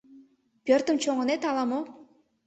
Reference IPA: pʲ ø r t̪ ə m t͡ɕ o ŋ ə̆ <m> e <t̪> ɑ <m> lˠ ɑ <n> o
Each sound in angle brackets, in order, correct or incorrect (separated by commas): incorrect, correct, incorrect, incorrect